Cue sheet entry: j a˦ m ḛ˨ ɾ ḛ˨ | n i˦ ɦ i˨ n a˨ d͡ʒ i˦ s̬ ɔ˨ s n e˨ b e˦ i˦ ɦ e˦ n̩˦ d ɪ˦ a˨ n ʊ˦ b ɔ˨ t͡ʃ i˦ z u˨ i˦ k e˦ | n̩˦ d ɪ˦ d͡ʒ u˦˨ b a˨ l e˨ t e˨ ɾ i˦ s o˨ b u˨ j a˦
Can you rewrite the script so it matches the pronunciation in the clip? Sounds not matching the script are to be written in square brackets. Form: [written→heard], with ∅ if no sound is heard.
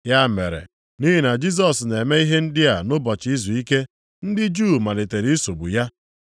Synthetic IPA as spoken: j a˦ m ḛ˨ ɾ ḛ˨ | n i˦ ɦ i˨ n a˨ d͡ʒ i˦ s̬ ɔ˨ s n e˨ [b→m] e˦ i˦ ɦ e˦ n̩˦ d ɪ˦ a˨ n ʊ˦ b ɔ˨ t͡ʃ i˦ z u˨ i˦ k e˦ | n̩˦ d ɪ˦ d͡ʒ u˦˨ [b→m] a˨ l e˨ t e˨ ɾ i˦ s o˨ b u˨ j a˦